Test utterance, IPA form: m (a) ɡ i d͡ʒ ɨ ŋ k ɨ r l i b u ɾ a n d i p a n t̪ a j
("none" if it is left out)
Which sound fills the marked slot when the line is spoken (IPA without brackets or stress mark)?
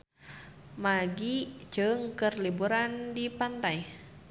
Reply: a